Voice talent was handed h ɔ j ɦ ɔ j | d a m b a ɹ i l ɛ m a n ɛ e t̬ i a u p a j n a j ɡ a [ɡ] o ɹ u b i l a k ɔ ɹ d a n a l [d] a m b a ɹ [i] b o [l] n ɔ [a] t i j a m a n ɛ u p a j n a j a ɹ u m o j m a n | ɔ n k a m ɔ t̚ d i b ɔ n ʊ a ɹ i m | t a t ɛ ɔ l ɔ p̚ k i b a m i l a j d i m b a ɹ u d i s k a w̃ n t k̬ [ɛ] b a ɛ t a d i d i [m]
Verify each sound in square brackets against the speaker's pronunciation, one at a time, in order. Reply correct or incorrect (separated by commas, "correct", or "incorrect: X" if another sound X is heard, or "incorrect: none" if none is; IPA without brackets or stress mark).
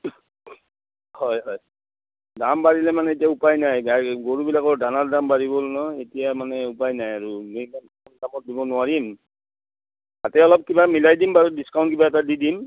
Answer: correct, correct, correct, correct, incorrect: e, incorrect: i, correct